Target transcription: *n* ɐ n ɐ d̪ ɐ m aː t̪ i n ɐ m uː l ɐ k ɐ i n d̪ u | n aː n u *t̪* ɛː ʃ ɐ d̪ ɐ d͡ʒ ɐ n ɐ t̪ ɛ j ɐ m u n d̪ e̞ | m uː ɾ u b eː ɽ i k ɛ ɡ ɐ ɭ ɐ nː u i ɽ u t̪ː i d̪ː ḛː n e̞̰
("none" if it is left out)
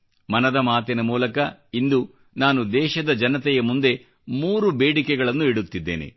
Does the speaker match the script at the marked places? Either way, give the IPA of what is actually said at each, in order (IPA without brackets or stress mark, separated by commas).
m, d̪